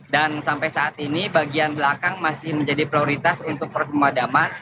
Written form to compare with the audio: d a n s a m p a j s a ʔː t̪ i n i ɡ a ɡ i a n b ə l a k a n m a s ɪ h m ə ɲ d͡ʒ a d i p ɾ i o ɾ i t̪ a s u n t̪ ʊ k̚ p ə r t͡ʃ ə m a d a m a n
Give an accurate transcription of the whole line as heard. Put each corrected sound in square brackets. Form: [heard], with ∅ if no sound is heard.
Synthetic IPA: d a n s a m p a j s a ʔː t̪ i n i [b] a ɡ i a n b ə l a k a [ŋ] m a s ɪ h m ə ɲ d͡ʒ a d i p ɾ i o ɾ i t̪ a s u n t̪ ʊ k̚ p ə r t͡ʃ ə m a d a m a n